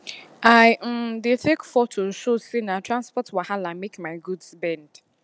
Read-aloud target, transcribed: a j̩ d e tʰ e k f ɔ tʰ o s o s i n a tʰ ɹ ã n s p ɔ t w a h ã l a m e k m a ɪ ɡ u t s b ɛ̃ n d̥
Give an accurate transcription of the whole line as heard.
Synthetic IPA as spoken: a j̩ d e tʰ e k f ɔ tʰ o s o s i n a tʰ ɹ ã n s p ɔ t w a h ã l a m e k m a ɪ ɡ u d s b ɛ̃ n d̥